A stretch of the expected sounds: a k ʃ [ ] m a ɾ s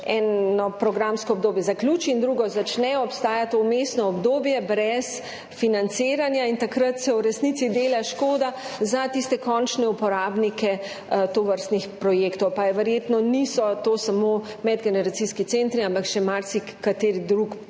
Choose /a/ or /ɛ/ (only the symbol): ɛ